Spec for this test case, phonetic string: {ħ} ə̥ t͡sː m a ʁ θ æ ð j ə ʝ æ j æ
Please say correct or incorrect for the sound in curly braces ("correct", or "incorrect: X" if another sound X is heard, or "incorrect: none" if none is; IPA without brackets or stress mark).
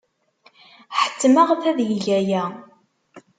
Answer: correct